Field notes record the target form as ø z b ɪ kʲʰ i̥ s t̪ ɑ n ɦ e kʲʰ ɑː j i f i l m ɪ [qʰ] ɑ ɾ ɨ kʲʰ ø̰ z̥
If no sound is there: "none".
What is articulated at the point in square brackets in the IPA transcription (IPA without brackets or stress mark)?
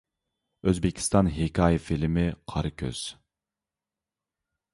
qʰ